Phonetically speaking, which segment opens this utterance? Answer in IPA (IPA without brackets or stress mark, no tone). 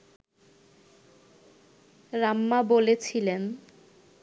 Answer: ɾ